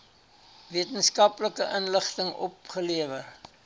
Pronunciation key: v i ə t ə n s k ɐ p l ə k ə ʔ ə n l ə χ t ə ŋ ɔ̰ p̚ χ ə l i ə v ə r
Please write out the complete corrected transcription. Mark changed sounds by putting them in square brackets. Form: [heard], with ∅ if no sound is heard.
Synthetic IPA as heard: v i ə t ə n s k ɐ p l ə k ə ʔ ə n l ə χ t ə ŋ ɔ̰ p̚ χ ə l i ə v ə r